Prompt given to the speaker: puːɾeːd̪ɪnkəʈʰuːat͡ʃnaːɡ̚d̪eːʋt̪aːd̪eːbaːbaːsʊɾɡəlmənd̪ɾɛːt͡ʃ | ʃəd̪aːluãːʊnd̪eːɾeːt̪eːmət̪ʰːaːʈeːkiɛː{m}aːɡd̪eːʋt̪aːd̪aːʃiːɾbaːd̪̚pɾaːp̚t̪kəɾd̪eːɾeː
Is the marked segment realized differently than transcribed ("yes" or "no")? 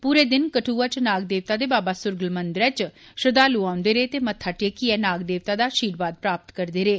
yes